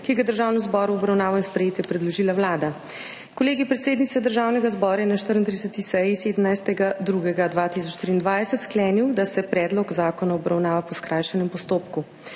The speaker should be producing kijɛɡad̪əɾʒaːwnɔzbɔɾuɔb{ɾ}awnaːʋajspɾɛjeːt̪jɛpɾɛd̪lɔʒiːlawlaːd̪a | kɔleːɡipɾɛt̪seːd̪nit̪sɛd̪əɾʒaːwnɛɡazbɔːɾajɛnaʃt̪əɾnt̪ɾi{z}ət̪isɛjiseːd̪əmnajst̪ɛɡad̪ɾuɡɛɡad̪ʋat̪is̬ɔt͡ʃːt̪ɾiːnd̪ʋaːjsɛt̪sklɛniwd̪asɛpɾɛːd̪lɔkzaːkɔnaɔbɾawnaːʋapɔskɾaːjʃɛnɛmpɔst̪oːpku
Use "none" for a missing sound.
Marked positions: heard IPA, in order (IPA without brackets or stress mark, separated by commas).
ɾ, s